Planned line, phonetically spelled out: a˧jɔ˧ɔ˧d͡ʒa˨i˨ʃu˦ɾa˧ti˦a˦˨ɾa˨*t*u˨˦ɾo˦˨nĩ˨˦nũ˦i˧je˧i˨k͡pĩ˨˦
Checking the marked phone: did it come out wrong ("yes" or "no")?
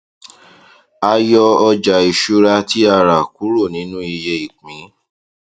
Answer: yes